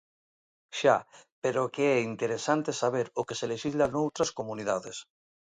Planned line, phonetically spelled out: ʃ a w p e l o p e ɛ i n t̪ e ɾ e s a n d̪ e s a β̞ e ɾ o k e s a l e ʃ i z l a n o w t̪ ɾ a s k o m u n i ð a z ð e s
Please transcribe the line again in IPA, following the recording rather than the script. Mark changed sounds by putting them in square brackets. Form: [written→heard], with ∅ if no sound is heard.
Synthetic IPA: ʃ a [w→∅] p e [l→ɾ] o [p→k] e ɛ i n t̪ e ɾ e s a n [d̪→t̪] e s a β̞ e ɾ o k e s [a→e] l e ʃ i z l a n o w t̪ ɾ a s k o m u n i ð a [z→∅] ð e s